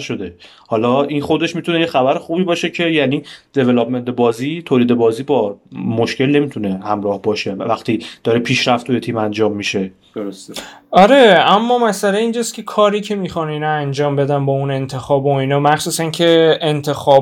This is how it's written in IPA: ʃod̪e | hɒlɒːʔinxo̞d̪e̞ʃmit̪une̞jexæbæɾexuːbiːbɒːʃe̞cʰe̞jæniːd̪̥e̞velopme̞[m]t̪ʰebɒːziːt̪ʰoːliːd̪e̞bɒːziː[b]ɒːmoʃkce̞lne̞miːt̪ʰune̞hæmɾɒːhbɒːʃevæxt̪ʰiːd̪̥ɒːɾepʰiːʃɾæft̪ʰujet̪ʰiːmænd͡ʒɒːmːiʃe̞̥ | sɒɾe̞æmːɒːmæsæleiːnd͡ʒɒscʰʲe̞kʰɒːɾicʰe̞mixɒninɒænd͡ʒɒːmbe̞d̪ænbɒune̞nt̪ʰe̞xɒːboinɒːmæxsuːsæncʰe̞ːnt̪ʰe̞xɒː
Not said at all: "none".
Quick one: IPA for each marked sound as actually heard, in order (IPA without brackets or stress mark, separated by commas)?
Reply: n, b